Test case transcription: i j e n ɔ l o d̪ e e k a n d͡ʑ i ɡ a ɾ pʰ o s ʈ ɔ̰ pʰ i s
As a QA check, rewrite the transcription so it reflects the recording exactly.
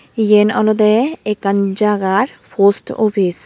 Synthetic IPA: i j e n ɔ l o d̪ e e k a n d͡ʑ a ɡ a ɾ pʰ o s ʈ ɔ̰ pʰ i s